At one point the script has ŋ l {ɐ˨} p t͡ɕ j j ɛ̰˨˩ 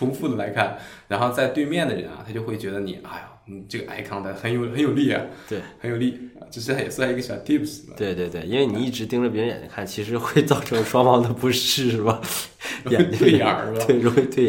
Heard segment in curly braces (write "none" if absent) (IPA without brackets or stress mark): ə˨